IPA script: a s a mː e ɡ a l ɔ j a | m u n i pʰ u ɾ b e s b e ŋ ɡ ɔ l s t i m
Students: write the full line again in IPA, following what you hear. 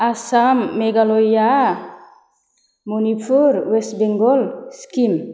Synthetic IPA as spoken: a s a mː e ɡ a l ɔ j a | m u n i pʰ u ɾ w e s b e ŋ ɡ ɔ l s k i m